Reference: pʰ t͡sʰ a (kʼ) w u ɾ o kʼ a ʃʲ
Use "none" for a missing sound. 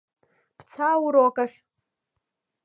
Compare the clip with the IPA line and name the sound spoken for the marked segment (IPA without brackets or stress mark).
none